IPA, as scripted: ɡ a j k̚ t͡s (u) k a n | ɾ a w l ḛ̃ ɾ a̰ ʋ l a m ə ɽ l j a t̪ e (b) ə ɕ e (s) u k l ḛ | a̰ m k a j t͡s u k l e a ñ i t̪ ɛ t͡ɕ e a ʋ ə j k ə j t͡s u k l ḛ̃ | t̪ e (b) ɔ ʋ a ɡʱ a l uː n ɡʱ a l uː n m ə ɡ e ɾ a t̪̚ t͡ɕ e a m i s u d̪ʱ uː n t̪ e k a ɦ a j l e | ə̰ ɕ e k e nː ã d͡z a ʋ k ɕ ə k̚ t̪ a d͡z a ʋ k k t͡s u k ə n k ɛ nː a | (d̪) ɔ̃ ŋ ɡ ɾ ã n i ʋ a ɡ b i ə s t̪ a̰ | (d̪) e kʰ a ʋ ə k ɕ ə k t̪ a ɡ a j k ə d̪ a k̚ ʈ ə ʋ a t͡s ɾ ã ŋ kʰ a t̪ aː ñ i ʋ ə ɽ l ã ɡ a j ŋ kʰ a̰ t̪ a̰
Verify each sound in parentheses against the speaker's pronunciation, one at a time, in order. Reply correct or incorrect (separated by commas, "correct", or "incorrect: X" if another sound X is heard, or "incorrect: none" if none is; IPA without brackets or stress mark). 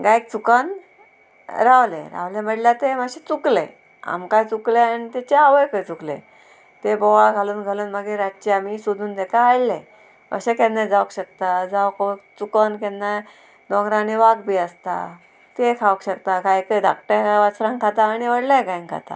correct, incorrect: m, incorrect: t͡s, correct, correct, incorrect: t̪